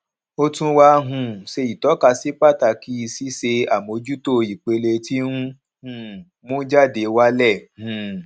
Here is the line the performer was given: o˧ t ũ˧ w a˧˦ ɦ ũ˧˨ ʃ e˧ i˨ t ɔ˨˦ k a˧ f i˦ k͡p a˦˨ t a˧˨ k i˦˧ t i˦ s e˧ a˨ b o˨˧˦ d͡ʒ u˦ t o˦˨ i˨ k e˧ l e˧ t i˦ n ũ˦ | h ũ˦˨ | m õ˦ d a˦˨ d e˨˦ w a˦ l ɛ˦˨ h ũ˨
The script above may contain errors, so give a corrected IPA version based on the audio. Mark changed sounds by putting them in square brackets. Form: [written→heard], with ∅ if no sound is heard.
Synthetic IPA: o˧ t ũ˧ w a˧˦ ɦ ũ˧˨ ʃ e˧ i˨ t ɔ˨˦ k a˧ [f→s] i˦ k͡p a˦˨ t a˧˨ k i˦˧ [t→s] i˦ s e˧ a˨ [b→m] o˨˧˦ d͡ʒ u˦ t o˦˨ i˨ [k→k͡p] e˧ l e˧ t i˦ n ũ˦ | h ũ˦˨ | m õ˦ [d→d͡ʒ] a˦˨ d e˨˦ w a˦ l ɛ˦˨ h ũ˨

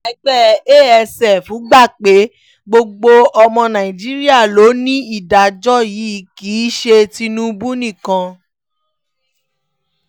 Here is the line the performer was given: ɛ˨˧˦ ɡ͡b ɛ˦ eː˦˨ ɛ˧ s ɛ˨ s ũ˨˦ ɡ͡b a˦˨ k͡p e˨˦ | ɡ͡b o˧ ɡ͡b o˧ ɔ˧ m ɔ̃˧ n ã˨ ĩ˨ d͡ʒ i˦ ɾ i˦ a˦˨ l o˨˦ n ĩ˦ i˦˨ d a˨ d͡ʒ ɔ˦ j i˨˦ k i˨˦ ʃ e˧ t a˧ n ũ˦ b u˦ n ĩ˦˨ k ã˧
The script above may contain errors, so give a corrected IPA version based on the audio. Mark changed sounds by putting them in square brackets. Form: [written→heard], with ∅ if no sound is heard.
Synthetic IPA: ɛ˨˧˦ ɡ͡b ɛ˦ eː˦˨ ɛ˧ s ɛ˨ [s→f] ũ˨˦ ɡ͡b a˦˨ k͡p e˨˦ | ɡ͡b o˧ ɡ͡b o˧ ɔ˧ m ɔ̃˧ n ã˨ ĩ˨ d͡ʒ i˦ ɾ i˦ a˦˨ l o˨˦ n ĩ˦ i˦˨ d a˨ d͡ʒ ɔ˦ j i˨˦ k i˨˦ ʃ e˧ t [a˧→i˧] n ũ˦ b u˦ n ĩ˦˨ k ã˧

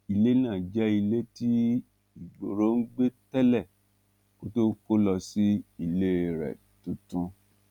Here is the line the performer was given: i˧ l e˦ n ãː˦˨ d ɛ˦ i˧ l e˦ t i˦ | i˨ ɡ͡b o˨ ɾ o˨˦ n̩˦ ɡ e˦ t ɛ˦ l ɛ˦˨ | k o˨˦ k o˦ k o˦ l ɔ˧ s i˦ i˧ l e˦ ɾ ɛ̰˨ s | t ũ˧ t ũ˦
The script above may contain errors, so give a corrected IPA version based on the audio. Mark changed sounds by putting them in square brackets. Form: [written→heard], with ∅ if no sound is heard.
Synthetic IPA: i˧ l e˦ n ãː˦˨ [d→d͡ʒ] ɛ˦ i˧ l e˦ t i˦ | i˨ ɡ͡b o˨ ɾ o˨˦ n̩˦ [ɡ→ɡ͡b] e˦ t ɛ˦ l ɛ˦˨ | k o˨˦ [k→t] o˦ k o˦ l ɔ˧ s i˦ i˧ l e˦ ɾ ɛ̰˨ [s→∅] | t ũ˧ t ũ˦

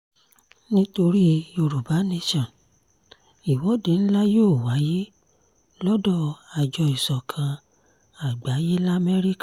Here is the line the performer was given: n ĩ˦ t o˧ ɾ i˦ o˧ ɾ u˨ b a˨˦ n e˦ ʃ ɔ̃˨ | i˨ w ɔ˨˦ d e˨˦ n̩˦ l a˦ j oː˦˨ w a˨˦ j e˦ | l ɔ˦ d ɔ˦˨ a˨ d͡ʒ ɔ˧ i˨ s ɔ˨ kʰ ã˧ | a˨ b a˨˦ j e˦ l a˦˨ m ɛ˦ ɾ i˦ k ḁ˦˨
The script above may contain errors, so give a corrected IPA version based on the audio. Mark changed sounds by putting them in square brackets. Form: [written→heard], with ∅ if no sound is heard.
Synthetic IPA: n ĩ˦ t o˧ ɾ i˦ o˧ ɾ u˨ b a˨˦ n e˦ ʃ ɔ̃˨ | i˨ w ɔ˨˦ d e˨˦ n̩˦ l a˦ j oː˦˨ w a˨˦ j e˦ | l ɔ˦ d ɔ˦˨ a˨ d͡ʒ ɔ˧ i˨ s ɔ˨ kʰ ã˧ | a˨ [b→ɡ͡b] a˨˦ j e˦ l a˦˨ m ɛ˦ ɾ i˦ k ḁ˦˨

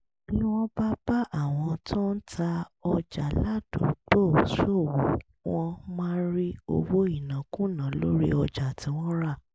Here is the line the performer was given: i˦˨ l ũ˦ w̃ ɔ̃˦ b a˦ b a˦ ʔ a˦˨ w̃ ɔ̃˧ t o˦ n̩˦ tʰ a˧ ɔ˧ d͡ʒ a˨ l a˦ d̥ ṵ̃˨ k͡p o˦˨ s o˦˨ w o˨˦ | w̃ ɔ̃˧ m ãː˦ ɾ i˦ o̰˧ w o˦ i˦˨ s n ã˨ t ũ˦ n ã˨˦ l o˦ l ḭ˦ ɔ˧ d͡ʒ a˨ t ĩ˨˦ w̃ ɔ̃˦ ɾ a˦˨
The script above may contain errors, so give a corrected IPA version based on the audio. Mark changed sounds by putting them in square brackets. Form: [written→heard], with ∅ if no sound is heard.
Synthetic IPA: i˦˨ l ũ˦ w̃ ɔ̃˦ b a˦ b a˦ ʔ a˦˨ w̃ ɔ̃˧ t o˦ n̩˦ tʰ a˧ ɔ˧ d͡ʒ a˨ l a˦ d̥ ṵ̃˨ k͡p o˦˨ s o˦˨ w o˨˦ | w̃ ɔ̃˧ m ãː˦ ɾ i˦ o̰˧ w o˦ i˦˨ [s→∅] n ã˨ [t→k] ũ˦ n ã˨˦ l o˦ [l→ɾ] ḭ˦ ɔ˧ d͡ʒ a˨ t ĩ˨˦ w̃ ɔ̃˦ ɾ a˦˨

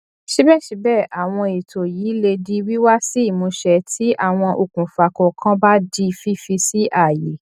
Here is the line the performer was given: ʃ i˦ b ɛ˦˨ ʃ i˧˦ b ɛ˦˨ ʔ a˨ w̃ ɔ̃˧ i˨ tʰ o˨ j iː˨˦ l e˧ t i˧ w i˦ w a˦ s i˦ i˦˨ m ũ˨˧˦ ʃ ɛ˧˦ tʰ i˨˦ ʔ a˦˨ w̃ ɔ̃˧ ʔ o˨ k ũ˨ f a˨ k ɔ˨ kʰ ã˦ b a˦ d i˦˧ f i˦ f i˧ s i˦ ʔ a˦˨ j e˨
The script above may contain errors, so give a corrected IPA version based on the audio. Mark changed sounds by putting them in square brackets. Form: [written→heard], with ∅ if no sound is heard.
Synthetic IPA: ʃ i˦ b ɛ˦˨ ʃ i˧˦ b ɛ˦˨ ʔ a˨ w̃ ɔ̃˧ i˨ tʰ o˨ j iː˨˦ l e˧ [t→d] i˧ w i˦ w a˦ s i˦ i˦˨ m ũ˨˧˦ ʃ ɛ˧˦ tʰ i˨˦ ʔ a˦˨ w̃ ɔ̃˧ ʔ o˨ k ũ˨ f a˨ k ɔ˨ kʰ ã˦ b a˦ d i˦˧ f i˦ f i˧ s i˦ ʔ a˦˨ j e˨

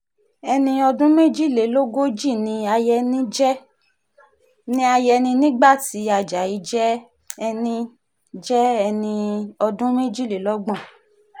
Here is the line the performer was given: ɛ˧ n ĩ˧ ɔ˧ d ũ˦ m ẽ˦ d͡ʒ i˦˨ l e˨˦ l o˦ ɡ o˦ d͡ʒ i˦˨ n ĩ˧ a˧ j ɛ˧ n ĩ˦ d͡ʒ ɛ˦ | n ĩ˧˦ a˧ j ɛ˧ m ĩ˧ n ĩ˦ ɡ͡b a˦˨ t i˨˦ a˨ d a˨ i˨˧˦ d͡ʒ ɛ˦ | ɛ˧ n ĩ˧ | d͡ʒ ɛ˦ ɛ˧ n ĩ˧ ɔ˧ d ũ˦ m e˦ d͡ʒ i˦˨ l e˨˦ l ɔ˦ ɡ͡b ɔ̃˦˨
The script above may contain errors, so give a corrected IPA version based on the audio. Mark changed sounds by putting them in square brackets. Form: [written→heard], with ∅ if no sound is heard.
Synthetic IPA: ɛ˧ n ĩ˧ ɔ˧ d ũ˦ m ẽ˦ d͡ʒ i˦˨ l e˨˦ l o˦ ɡ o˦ d͡ʒ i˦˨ n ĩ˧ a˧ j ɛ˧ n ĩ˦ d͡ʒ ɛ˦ | n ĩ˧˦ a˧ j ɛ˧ [m→n] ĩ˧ n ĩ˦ ɡ͡b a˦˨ t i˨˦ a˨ [d→d͡ʒ] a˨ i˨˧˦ d͡ʒ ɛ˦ | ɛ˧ n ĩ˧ | d͡ʒ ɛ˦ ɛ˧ n ĩ˧ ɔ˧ d ũ˦ m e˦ d͡ʒ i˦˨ l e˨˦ l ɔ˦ ɡ͡b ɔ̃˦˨

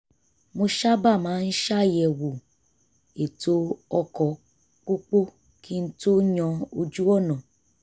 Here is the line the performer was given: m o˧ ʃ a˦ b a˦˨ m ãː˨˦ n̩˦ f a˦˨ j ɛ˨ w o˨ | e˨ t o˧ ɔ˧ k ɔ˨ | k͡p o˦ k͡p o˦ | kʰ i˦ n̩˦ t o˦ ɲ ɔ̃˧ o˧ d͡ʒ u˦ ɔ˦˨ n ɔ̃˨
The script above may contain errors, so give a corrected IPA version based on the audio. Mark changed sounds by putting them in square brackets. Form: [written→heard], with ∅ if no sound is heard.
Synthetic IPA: m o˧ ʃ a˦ b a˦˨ m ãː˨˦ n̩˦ [f→ʃ] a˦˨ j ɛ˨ w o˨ | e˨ t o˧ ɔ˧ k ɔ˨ | k͡p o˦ k͡p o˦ | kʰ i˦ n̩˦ t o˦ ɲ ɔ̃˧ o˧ d͡ʒ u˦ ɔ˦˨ n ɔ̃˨

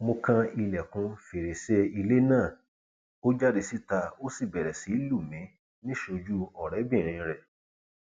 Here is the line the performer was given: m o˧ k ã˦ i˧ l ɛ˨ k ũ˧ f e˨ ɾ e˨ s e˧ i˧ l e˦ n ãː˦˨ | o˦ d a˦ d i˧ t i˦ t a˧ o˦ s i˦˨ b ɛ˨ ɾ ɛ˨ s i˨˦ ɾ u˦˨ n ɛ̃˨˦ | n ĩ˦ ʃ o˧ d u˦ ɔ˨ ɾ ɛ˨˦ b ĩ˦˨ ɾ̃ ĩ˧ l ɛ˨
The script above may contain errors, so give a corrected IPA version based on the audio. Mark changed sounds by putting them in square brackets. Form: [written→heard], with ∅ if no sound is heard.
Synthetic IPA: m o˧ k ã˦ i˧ l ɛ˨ k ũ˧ f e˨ ɾ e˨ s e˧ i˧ l e˦ n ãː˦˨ | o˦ [d→d͡ʒ] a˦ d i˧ [t→s] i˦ t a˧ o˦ s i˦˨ b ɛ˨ ɾ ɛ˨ s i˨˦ [ɾ→l] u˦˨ [n→m] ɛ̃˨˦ | n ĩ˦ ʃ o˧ [d→d͡ʒ] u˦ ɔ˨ ɾ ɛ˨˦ b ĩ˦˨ ɾ̃ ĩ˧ [l→ɾ] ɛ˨

